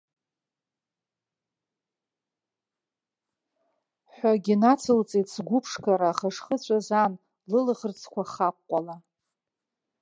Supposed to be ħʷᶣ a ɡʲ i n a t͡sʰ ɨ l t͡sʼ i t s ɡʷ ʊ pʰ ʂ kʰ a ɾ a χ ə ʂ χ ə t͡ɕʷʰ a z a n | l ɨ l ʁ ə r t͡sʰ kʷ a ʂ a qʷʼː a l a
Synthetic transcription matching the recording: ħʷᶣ a ɡʲ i n a t͡sʰ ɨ l t͡sʼ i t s ɡʷ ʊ pʰ ʂ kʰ a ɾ a χ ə ʂ χ ə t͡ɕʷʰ a z a n | l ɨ l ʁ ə r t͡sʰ kʷ a χ a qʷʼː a l a